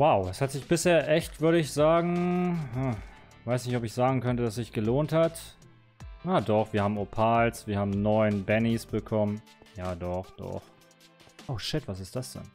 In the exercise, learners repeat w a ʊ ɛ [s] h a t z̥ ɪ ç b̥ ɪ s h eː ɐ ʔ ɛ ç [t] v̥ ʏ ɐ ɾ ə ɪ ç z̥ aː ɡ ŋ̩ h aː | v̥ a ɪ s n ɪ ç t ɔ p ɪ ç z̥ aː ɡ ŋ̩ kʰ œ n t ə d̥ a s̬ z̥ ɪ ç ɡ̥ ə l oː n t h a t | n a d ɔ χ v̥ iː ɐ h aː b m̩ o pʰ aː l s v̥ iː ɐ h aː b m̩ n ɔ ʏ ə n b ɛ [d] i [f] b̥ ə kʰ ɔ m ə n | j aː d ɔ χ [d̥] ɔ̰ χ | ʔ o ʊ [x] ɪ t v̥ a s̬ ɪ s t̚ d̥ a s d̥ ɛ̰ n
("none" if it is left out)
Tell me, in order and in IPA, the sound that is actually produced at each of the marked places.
s, t, n, s, d̥, ʃ

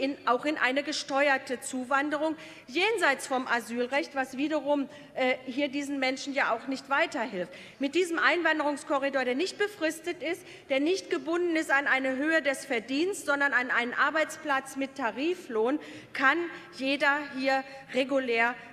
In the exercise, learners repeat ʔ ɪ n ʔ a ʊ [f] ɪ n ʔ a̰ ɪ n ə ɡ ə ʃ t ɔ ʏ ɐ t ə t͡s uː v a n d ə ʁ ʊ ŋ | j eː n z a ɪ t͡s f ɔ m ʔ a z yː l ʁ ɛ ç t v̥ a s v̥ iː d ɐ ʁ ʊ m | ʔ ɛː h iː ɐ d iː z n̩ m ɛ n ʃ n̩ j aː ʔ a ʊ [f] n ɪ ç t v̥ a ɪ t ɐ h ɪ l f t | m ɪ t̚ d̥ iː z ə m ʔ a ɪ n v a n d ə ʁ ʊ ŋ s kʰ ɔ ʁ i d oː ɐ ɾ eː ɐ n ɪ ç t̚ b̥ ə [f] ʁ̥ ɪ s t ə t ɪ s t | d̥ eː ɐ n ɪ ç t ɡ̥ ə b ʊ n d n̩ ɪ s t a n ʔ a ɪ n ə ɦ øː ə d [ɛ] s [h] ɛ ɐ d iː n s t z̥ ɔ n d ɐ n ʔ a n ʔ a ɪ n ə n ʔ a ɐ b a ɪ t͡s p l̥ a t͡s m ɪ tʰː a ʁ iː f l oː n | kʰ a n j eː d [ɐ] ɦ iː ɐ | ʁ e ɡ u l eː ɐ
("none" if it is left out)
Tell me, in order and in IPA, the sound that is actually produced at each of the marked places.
x, x, f, ɛ, f, ɐ

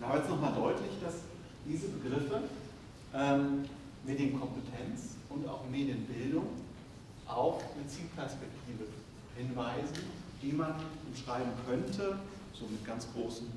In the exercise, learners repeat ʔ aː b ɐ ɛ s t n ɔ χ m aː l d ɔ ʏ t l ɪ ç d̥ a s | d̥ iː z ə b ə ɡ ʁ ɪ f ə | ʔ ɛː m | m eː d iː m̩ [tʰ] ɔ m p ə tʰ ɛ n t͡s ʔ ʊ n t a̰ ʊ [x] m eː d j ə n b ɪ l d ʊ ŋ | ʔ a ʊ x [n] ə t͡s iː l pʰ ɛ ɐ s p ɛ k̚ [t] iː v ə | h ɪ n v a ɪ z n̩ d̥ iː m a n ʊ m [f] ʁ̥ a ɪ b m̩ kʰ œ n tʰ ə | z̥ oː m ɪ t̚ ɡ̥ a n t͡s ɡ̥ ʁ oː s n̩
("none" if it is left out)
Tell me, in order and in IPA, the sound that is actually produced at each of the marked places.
kʰ, x, n, tʰ, ʃ

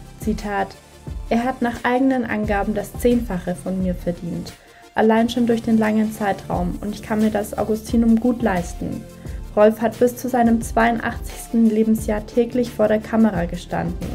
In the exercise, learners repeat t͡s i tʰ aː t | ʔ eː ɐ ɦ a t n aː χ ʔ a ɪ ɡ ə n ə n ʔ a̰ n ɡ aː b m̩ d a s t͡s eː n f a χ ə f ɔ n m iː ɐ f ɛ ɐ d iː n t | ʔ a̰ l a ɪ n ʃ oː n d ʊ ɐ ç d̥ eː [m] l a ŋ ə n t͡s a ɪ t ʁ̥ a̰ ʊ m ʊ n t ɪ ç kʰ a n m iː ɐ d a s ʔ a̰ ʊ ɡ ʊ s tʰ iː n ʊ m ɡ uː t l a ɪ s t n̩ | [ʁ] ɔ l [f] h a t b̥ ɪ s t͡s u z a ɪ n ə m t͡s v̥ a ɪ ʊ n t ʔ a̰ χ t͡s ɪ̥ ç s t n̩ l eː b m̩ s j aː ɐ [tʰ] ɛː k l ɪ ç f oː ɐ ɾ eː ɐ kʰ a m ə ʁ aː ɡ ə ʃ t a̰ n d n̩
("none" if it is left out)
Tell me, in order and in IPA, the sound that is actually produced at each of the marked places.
n, ʁ, f, tʰ

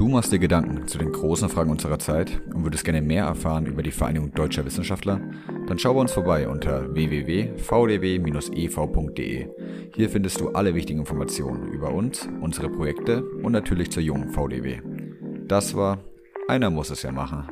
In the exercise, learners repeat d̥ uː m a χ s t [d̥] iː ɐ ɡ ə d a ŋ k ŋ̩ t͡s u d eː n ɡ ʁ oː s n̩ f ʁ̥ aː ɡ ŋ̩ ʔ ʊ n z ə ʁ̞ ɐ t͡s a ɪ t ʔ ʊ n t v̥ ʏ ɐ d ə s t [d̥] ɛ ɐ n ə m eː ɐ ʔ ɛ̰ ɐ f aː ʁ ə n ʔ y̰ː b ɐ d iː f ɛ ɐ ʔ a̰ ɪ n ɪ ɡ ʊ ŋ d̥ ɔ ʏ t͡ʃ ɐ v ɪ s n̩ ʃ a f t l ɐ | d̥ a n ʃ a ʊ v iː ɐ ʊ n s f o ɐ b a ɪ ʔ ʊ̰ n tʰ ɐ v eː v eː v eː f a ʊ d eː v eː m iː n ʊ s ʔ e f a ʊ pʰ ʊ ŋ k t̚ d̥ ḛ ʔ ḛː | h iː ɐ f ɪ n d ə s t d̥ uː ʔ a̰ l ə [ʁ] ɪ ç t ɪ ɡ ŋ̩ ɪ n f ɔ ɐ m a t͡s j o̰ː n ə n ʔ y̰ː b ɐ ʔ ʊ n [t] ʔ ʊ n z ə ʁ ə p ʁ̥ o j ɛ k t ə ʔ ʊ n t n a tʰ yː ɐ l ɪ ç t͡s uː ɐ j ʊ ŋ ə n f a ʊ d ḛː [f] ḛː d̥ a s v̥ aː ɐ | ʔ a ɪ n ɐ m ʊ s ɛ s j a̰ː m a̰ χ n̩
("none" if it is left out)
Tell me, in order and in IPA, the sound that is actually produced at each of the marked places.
d̥, ɡ̥, v, s, v

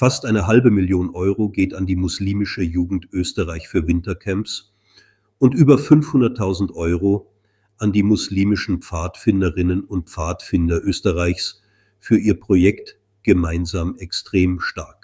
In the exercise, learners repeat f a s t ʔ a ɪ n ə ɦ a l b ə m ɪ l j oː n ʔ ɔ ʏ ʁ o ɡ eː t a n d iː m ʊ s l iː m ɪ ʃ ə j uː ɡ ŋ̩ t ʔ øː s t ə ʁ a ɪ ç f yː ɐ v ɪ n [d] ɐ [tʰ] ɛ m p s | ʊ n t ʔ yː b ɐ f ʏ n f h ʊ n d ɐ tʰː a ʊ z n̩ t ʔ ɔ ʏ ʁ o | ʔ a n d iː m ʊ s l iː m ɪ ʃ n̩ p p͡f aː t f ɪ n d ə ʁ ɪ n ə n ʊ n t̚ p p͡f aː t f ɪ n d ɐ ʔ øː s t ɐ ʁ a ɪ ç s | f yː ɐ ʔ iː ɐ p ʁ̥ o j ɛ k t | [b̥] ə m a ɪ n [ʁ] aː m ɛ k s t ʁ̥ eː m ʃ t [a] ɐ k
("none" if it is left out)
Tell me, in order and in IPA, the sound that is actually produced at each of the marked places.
t, kʰ, ɡ̥, z, a

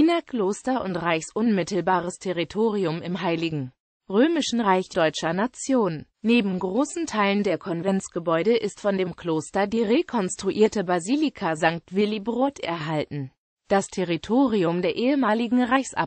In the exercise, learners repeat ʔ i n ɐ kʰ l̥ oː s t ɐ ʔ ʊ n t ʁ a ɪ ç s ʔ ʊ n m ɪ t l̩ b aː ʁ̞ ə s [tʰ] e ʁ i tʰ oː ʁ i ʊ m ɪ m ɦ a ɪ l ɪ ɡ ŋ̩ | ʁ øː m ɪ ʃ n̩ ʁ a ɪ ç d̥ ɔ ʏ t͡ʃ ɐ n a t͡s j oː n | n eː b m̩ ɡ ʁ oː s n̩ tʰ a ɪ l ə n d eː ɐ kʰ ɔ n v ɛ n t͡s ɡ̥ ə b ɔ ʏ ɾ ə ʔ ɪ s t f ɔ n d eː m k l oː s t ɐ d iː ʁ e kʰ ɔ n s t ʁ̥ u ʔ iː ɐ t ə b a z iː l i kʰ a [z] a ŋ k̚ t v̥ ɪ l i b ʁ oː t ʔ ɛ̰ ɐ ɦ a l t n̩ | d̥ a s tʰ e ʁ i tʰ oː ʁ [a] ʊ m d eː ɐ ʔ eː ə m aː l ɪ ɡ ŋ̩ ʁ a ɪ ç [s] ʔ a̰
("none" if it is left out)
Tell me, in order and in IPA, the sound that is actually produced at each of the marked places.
tʰ, z, i, s

